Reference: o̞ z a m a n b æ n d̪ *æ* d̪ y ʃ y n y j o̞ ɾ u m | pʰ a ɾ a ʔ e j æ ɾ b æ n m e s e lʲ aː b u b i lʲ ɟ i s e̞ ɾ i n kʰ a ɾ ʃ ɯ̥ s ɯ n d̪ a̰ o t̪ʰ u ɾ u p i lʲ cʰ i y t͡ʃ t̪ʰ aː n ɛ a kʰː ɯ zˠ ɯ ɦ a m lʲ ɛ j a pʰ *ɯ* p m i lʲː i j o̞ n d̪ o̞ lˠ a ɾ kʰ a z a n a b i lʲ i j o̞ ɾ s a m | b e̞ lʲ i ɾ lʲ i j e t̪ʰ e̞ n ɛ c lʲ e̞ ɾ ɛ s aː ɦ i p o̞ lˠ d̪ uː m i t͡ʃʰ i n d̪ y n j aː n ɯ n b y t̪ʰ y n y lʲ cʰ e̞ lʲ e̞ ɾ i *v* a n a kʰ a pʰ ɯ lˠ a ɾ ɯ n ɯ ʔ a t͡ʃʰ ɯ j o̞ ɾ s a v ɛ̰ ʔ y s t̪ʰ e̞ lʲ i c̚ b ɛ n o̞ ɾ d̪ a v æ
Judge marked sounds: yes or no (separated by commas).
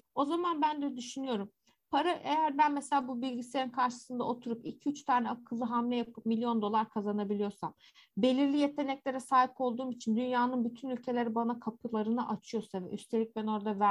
no, yes, no